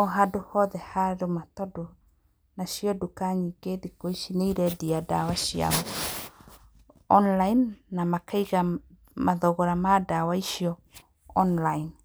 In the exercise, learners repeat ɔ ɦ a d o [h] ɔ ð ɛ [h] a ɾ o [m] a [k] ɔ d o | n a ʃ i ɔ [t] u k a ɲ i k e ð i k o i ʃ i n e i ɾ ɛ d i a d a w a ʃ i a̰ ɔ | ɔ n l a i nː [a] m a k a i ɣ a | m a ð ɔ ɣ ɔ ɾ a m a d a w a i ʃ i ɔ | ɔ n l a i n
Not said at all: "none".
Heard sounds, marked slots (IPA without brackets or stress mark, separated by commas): h, h, m, t, d, a